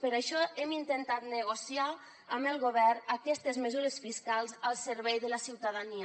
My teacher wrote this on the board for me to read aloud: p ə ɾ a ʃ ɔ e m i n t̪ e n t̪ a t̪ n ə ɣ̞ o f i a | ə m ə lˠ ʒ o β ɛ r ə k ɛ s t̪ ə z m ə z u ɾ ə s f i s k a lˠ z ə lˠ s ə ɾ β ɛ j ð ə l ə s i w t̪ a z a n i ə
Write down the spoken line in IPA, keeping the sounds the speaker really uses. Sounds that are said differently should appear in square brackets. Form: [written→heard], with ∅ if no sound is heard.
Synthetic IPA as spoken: p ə ɾ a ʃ ɔ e m i n t̪ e n t̪ a t̪ n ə ɣ̞ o [f→s] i a | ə m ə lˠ [ʒ→ɣ] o β ɛ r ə k ɛ s t̪ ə z m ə z u ɾ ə s f i s k a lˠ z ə lˠ s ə ɾ β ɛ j ð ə l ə s i w t̪ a [z→ð] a n i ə